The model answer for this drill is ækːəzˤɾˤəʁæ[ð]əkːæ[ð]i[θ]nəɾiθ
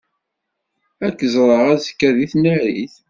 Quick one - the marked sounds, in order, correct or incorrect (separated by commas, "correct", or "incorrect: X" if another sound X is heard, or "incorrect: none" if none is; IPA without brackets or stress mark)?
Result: incorrect: z, correct, correct